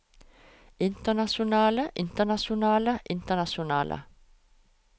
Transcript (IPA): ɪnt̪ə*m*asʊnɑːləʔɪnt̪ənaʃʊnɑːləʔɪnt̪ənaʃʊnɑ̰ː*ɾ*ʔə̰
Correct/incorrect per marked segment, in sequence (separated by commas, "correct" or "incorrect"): incorrect, incorrect